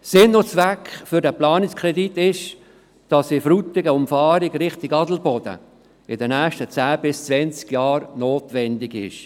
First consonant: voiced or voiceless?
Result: voiceless